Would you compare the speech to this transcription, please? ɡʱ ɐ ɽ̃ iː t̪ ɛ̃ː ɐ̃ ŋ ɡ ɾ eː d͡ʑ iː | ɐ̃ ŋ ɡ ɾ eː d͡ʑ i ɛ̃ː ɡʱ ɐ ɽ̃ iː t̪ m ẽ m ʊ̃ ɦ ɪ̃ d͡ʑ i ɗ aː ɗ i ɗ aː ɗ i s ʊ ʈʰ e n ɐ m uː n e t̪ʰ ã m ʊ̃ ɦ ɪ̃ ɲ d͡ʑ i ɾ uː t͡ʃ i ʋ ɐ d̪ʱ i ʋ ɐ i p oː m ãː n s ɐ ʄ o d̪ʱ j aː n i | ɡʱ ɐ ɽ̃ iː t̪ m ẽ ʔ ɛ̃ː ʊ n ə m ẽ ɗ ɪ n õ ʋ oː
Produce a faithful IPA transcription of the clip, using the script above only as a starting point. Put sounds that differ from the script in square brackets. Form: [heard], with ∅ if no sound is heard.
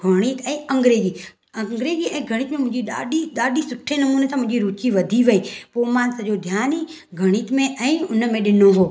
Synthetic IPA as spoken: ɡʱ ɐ ɽ̃ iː t̪ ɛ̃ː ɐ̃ ŋ ɡ ɾ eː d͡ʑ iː | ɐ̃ ŋ ɡ ɾ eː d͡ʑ i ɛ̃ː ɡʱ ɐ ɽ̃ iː t̪ m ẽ m ʊ̃ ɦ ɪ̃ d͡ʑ i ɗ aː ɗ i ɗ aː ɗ i s ʊ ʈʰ e n ɐ m uː n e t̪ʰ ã m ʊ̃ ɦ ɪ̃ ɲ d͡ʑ i ɾ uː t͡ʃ i ʋ ɐ d̪ʱ i ʋ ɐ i p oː m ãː n s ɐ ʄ o d̪ʱ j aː n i | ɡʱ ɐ ɽ̃ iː t̪ m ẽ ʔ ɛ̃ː ʊ n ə m ẽ ɗ ɪ n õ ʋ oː